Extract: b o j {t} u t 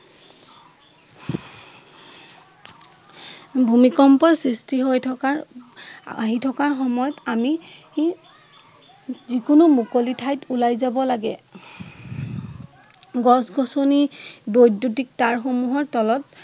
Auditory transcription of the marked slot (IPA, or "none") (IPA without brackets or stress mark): d